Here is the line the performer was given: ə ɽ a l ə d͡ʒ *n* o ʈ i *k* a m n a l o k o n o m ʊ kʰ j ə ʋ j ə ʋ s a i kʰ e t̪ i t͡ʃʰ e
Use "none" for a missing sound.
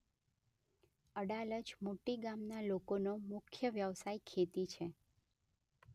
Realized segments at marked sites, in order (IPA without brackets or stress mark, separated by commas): m, ɡ